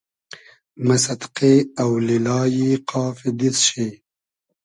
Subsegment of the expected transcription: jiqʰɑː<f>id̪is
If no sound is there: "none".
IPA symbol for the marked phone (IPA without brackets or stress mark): f